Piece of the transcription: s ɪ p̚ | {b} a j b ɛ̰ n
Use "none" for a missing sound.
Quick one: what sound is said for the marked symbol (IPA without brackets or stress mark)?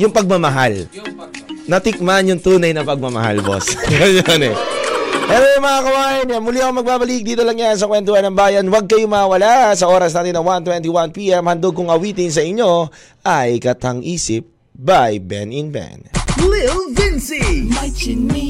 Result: b